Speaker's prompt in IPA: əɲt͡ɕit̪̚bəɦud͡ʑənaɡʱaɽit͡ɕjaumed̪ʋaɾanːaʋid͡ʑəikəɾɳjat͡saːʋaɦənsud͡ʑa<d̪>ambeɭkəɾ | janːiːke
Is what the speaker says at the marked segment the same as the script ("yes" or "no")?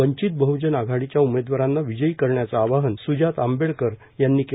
no